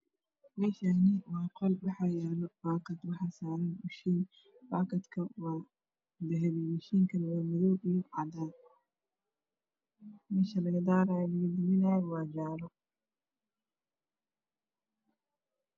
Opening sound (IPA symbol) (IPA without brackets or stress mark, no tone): m